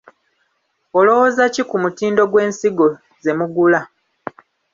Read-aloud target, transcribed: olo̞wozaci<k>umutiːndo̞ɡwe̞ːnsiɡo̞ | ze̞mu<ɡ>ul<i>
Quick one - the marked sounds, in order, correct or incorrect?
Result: correct, correct, incorrect: a

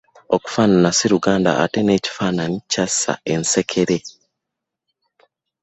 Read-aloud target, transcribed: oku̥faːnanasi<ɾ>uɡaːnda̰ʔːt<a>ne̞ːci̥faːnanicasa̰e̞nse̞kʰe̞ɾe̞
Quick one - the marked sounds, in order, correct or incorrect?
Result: correct, incorrect: e

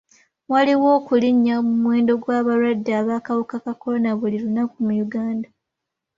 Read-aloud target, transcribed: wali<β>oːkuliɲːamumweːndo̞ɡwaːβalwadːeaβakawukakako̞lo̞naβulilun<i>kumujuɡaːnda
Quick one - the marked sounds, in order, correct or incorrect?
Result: incorrect: w, incorrect: a

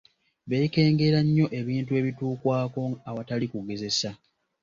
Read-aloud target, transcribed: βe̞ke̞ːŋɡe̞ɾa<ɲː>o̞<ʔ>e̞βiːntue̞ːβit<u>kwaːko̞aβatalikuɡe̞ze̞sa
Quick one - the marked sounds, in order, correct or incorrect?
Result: correct, correct, incorrect: uː

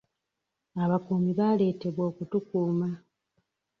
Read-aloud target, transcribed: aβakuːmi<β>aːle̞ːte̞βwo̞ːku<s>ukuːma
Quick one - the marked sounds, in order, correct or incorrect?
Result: correct, incorrect: t

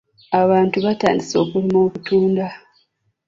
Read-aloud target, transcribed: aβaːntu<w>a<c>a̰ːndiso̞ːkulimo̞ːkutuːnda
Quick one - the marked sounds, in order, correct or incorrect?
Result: incorrect: β, incorrect: t

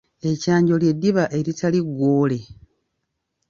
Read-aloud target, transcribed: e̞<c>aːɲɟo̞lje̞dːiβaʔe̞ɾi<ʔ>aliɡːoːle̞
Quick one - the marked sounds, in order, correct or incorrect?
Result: correct, incorrect: t

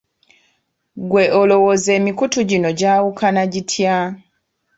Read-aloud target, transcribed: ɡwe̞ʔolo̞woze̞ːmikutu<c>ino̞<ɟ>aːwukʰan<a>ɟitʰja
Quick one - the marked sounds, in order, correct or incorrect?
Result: incorrect: ɟ, correct, correct

